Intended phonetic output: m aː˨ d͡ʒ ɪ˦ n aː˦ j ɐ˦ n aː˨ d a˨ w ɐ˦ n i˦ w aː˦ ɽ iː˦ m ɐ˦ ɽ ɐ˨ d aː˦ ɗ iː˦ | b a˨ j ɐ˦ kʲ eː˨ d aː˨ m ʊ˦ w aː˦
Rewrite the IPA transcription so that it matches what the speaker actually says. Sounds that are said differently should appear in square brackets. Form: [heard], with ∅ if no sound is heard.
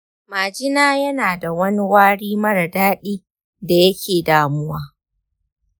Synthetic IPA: m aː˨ d͡ʒ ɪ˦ n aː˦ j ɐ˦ n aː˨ d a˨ w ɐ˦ n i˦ w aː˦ ɽ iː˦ m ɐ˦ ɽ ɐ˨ d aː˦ ɗ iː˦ | [d] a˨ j ɐ˦ kʲ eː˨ d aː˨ m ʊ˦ w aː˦